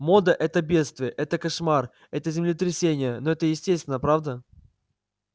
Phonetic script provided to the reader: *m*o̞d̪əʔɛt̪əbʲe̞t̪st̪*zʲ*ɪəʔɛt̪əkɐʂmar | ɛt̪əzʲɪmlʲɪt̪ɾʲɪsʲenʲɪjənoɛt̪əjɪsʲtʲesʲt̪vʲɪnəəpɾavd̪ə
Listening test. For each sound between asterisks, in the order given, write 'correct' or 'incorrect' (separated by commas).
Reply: correct, incorrect